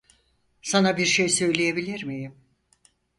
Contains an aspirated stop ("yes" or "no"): no